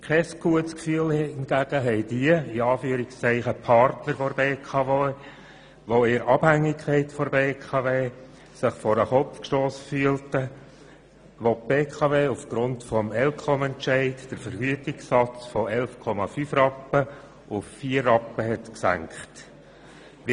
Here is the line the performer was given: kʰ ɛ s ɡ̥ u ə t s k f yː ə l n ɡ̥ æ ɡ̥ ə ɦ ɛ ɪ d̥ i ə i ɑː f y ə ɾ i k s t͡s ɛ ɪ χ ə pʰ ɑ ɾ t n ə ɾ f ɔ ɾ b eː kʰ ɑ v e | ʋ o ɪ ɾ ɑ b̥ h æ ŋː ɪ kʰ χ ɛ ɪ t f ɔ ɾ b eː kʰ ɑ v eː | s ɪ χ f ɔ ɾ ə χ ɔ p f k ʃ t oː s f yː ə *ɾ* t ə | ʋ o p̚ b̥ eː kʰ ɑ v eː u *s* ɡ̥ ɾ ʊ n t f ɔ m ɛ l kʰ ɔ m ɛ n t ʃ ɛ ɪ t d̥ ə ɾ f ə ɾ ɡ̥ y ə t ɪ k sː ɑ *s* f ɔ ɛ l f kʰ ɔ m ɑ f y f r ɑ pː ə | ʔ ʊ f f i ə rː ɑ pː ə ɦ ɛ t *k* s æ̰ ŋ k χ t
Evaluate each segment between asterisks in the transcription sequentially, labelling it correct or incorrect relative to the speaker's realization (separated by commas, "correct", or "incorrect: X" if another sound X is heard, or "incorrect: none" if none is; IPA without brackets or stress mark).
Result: incorrect: l, incorrect: f, incorrect: t͡s, correct